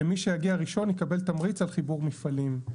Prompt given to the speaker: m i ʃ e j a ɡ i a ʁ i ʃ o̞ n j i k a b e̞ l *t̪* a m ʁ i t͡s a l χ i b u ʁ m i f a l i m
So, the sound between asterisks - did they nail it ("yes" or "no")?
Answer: yes